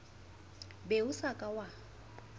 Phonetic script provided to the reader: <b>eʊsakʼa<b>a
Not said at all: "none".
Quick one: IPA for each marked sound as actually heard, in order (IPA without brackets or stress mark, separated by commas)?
b, w